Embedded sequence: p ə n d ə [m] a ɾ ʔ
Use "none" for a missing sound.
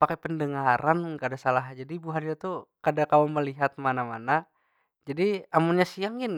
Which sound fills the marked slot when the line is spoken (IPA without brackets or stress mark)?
ŋ